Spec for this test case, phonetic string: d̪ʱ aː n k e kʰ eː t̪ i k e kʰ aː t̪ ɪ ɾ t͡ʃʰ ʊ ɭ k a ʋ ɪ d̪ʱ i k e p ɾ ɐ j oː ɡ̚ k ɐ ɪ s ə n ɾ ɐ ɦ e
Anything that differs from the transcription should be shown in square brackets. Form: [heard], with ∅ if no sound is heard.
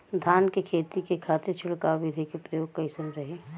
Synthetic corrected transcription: d̪ʱ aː n k e kʰ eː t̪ i k e kʰ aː t̪ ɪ ɾ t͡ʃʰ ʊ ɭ k a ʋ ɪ d̪ʱ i k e p ɾ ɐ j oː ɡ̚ k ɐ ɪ s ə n ɾ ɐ ɦ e